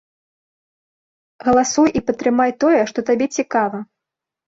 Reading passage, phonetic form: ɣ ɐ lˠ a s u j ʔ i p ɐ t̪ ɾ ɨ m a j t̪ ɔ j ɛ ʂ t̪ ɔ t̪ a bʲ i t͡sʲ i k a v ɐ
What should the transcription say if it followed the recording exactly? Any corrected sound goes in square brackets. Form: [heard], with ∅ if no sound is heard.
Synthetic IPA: ɣ ɐ lˠ a s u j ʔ i p ɐ t̪ ɾ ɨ m a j t̪ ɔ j ɛ ʂ t̪ ɔ t̪ a bʲ [ɛ] t͡sʲ i k a v ɐ